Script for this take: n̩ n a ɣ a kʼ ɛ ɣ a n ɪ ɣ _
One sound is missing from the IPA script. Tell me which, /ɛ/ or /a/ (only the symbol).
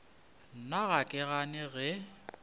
ɛ